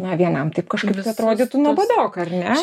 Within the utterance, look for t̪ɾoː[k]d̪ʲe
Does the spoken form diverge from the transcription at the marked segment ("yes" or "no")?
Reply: yes